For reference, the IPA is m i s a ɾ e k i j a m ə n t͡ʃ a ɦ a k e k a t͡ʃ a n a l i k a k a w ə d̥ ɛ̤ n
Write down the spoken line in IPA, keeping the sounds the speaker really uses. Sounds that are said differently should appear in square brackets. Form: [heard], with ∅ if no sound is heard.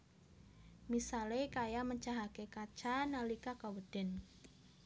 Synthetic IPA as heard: m i s a [l] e k [a] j a m ə [ɲ] t͡ʃ a ɦ a k e k a t͡ʃ a n a l i k a k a w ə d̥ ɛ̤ n